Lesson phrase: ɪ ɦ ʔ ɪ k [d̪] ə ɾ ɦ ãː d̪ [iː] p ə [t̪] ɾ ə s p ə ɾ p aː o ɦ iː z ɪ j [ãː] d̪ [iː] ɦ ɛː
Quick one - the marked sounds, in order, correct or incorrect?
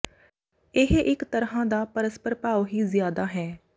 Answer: incorrect: t̪, incorrect: aː, incorrect: none, incorrect: aː, incorrect: aː

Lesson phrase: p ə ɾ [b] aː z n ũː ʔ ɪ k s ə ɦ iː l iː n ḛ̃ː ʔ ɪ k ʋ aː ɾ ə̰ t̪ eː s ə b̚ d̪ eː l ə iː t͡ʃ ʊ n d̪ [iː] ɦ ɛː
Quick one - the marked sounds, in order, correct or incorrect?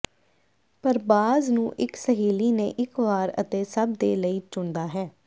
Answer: correct, incorrect: aː

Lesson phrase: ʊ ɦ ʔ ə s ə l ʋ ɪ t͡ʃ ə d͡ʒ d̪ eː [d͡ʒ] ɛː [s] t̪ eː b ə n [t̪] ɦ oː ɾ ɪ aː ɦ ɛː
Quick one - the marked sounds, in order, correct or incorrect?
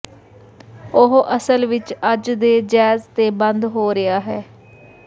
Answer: correct, incorrect: z, incorrect: d̪

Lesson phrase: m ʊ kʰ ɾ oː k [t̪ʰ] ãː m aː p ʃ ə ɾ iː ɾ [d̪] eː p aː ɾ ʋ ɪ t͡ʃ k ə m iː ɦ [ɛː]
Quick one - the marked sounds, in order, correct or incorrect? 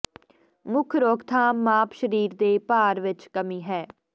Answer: correct, correct, correct

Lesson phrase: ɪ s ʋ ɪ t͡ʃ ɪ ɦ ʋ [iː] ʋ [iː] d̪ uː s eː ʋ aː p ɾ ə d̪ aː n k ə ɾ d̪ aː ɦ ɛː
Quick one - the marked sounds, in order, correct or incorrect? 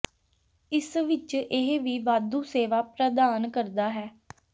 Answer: correct, incorrect: aː

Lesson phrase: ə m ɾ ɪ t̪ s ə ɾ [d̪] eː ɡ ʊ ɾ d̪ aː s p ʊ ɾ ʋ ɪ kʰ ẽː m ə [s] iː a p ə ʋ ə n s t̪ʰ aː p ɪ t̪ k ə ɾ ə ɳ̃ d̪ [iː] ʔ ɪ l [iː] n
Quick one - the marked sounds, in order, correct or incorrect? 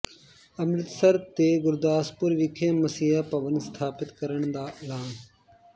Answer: incorrect: t̪, correct, incorrect: aː, incorrect: aː

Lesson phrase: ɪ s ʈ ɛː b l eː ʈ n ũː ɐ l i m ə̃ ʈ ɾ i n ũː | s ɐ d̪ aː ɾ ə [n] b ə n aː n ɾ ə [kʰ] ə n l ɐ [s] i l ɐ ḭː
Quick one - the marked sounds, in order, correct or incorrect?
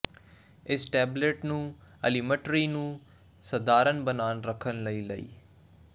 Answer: correct, correct, incorrect: none

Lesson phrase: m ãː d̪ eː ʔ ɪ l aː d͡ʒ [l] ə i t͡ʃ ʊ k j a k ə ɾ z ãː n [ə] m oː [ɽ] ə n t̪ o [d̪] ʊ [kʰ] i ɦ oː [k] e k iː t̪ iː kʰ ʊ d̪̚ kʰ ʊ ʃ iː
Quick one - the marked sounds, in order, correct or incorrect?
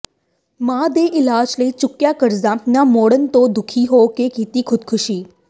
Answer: correct, incorrect: a, correct, correct, correct, correct

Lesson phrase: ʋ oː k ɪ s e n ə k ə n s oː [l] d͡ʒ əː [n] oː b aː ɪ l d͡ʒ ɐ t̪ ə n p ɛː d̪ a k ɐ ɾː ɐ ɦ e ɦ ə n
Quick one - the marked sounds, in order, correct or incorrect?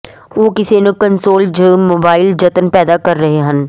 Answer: correct, incorrect: m

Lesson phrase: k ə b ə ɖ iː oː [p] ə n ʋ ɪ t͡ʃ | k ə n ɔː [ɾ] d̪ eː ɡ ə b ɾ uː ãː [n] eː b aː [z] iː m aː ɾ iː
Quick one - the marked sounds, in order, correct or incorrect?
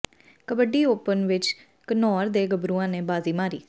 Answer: correct, correct, correct, correct

